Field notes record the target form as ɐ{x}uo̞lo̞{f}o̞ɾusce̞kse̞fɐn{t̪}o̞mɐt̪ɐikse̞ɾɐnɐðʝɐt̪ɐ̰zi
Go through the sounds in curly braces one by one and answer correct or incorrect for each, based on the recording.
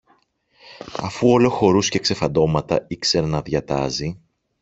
incorrect, incorrect, incorrect

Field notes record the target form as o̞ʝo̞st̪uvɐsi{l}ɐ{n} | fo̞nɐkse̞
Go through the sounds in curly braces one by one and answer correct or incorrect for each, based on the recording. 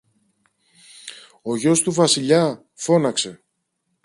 incorrect, incorrect

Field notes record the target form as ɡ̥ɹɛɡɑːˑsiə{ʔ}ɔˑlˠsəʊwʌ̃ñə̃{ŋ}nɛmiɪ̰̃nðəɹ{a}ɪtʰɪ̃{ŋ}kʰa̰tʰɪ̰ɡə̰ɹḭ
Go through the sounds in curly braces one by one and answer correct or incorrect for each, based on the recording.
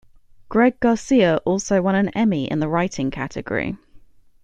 correct, incorrect, correct, correct

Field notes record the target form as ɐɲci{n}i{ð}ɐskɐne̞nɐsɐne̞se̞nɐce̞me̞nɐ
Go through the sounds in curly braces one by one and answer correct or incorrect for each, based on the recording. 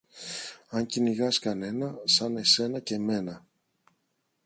correct, incorrect

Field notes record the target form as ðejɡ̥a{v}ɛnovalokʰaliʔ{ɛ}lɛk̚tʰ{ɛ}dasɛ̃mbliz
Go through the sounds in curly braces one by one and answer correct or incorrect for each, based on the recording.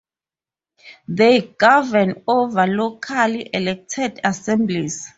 correct, correct, correct

